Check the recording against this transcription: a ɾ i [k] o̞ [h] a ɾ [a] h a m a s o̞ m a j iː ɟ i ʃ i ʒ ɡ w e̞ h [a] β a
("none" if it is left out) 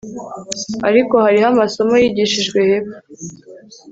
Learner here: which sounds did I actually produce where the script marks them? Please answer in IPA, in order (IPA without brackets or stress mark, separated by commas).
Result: k, h, i, e